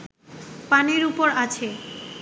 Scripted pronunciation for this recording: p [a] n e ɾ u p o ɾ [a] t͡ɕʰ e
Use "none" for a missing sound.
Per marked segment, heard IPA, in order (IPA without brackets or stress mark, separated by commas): a, a